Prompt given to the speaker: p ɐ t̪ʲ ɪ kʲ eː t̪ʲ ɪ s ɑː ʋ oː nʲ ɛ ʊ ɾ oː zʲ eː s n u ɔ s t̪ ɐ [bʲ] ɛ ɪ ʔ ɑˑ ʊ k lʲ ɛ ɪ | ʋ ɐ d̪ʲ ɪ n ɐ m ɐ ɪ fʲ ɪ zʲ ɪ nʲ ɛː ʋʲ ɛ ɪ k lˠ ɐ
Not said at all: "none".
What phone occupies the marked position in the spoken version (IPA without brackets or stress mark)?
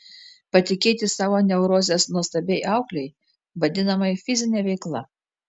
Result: bʲ